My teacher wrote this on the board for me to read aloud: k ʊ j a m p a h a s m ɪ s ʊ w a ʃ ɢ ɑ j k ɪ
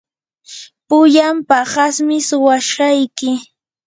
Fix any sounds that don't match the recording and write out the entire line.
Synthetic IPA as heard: p ʊ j a m p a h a s m ɪ s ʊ w a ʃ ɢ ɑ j k ɪ